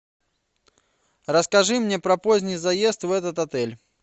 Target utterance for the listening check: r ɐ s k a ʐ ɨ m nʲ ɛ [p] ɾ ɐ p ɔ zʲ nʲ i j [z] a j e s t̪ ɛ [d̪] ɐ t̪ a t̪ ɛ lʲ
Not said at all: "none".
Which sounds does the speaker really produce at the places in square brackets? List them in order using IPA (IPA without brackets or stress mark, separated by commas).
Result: p, z, t̪